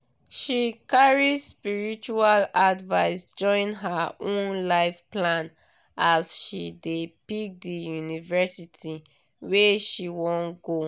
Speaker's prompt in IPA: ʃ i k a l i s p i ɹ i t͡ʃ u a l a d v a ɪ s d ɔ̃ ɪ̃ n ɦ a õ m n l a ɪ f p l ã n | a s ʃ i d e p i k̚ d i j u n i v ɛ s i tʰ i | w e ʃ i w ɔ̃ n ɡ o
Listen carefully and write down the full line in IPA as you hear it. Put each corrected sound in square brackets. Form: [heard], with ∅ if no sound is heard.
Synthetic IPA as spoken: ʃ i k a [ɹ] i s p i ɹ i t͡ʃ u a l a d v a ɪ s [d͡ʒ] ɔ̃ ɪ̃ n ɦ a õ [n] n l a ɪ f p l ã n | a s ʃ i d e p i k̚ d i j u n i v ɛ s i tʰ i | w e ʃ i w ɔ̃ n ɡ o